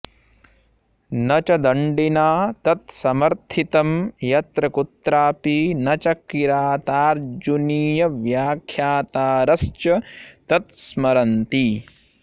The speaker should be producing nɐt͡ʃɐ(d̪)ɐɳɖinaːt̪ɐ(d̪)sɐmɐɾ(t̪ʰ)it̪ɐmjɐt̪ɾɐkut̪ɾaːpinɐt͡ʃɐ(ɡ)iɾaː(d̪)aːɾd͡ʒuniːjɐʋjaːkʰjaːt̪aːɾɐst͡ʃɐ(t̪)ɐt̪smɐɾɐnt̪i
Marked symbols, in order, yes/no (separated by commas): yes, no, yes, no, no, yes